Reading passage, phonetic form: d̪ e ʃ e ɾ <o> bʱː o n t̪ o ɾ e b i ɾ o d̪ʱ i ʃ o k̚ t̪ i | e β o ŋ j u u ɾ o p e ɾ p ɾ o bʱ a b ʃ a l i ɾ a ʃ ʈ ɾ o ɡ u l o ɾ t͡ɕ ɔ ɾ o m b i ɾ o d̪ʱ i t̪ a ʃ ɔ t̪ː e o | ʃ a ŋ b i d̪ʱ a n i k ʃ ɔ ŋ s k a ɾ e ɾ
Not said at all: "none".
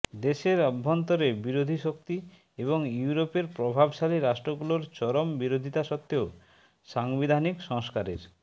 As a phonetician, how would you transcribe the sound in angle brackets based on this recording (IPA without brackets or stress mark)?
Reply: ɔ